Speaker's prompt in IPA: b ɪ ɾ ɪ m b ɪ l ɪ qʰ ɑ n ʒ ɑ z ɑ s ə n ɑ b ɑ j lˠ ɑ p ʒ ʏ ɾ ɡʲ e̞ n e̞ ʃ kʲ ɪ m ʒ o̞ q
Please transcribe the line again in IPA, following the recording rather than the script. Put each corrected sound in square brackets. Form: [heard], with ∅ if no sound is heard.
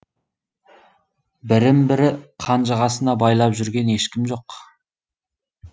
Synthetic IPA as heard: b ɪ ɾ ɪ m b ɪ [ɾ] ɪ qʰ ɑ n ʒ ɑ [ʁ] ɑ s ə n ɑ b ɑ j lˠ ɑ p ʒ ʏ ɾ ɡʲ e̞ n e̞ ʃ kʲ ɪ m ʒ o̞ q